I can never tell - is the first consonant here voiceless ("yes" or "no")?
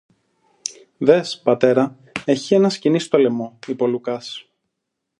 no